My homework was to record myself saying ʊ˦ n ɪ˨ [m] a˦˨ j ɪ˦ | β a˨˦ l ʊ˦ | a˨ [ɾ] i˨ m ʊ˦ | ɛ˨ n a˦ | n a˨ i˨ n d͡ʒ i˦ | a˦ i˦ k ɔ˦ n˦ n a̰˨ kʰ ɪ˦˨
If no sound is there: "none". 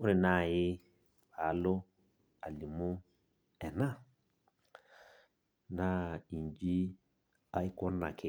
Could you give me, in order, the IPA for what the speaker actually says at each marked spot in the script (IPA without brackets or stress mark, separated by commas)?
n, l